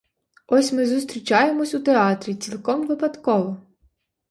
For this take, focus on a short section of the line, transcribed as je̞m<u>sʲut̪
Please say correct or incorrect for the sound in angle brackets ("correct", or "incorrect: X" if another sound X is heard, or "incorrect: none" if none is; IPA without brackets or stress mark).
incorrect: ɔ